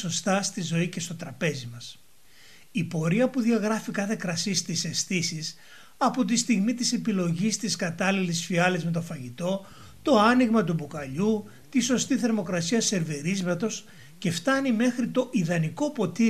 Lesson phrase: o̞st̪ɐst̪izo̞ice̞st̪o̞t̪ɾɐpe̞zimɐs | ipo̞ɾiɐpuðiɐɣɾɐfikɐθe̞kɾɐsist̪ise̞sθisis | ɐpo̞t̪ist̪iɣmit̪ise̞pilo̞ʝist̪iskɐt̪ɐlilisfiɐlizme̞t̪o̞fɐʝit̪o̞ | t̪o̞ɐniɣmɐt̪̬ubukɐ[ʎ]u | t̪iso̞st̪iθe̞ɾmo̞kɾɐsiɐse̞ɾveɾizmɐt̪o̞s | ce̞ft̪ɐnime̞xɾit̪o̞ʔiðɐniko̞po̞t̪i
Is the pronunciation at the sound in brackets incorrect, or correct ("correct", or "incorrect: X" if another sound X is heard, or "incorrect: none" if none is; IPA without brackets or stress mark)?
correct